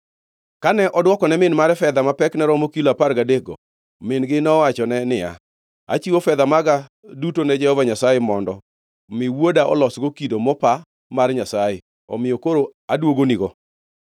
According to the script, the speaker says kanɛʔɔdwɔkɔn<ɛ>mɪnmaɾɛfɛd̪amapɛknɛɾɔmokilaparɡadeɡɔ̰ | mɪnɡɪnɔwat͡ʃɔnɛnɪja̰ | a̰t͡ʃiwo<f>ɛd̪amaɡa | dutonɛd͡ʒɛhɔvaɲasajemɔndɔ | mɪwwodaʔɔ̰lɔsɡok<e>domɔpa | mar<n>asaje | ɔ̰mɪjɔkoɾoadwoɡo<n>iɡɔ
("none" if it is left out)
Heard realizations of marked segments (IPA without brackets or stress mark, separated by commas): ɛ, f, i, ɲ, n